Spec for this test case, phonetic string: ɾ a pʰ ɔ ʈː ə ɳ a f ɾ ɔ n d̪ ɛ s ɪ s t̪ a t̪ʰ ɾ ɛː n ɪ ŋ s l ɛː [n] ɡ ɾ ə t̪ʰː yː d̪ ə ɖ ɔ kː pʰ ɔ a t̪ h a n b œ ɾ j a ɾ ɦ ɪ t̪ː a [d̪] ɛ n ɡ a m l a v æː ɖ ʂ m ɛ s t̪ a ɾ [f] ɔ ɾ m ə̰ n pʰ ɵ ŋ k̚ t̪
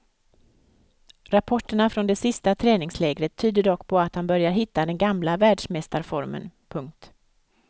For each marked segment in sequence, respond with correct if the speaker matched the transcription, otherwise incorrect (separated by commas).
incorrect, correct, correct